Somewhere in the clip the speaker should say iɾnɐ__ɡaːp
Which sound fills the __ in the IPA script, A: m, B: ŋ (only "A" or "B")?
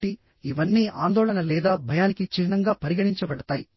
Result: B